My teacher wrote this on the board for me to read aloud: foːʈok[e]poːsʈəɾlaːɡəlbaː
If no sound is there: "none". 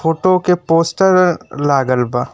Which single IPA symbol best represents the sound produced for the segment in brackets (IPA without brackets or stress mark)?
e